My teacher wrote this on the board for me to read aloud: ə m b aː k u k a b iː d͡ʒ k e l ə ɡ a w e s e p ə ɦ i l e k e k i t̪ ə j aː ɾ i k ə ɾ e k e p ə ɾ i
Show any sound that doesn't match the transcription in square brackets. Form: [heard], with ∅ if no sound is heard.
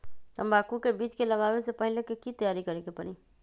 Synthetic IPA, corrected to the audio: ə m b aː k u k [e] b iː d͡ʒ k e l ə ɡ a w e s e p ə ɦ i l e k e k i t̪ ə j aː ɾ i k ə ɾ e k e p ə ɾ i